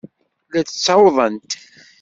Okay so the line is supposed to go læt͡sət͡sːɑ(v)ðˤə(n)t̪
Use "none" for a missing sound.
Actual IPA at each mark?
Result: w, n

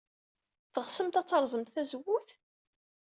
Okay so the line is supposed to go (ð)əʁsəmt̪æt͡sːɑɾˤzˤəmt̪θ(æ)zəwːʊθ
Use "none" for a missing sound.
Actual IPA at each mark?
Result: θ, æ

